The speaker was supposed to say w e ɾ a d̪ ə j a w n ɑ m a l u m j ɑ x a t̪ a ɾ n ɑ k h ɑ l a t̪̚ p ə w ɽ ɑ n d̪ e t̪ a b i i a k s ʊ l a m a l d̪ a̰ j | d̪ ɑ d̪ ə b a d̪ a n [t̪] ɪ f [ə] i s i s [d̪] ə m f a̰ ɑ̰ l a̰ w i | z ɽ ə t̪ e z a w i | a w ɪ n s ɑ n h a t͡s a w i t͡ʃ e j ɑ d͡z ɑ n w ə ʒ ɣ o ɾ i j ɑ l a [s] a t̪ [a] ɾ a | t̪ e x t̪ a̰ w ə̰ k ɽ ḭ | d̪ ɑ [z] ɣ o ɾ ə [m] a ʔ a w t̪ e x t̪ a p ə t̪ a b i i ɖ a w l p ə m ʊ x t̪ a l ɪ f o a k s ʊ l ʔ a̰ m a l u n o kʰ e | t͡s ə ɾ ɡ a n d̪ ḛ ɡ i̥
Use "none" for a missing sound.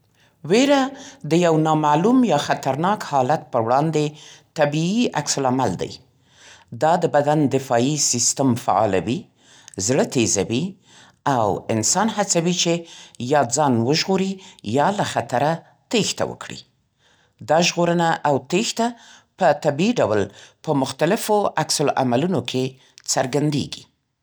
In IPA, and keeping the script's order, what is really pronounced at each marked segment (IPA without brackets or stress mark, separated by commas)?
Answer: d̪, ɑ, t̪, x, a, ʒ, n